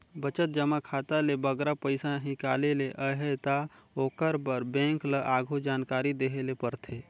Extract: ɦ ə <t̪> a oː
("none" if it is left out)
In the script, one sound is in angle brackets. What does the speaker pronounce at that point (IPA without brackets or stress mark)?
t̪